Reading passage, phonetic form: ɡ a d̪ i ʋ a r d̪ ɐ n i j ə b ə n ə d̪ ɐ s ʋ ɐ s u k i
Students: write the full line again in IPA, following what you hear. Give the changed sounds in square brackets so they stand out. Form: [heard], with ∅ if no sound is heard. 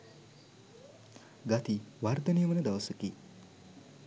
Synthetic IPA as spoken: ɡ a [t̪] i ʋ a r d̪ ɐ n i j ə [m] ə n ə d̪ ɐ [∅] ʋ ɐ s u k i